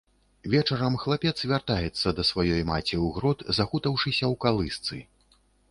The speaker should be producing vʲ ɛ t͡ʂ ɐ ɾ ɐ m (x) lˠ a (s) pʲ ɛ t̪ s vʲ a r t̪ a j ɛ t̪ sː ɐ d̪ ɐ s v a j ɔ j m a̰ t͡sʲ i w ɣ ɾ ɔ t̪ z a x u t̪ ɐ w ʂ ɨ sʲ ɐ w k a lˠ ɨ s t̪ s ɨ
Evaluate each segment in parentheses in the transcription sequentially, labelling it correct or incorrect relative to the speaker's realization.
correct, incorrect

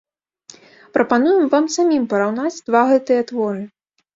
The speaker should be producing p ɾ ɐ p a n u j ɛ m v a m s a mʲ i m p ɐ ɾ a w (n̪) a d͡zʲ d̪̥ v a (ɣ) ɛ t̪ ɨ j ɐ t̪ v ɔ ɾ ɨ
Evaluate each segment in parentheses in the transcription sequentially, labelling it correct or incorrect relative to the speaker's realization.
correct, correct

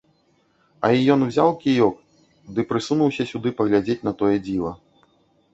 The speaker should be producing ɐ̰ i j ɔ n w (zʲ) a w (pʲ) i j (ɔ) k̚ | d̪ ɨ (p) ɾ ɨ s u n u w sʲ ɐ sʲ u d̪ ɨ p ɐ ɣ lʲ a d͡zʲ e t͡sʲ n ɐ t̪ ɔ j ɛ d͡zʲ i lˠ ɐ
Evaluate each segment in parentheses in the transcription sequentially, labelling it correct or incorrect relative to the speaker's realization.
correct, incorrect, correct, correct

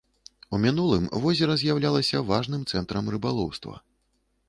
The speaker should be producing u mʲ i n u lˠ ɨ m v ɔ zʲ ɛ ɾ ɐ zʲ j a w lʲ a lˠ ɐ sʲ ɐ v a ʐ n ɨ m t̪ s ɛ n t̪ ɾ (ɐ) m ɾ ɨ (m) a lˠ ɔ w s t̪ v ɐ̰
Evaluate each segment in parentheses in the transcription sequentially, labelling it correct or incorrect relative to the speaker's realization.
correct, incorrect

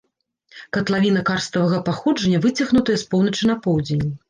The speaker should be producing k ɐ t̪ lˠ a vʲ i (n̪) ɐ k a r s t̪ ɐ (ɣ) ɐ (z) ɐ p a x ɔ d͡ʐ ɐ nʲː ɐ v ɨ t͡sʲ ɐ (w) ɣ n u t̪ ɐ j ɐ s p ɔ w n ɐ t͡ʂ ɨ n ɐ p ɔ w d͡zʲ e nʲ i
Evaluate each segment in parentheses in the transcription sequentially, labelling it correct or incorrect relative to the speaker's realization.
correct, incorrect, incorrect, incorrect

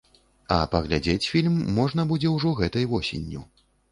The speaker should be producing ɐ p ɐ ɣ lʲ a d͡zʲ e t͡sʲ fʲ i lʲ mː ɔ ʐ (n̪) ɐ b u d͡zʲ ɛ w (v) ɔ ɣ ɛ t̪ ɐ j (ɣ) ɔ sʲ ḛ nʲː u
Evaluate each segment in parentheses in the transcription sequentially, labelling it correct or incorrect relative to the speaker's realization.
correct, incorrect, incorrect

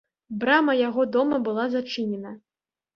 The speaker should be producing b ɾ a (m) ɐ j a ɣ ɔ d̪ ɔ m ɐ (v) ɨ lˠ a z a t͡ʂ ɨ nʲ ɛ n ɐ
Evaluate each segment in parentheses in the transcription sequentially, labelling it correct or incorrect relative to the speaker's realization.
correct, incorrect

